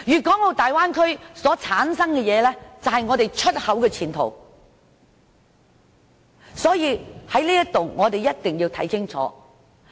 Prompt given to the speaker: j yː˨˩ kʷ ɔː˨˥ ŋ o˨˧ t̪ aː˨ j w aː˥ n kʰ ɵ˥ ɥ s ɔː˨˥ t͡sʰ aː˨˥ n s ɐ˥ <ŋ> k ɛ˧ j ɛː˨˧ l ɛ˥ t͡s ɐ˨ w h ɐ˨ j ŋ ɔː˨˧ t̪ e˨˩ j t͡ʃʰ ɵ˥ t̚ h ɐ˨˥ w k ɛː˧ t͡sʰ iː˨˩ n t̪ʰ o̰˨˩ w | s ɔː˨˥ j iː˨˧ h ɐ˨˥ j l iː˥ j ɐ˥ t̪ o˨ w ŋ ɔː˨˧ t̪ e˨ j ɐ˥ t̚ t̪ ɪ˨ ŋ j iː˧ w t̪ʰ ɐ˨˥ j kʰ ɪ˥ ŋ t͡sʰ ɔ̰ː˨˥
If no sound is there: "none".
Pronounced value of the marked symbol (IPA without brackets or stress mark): ŋ